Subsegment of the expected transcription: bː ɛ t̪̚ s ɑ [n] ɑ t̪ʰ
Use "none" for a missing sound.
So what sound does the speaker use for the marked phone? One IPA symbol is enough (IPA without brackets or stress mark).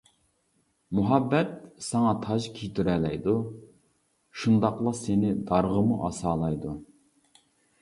ŋ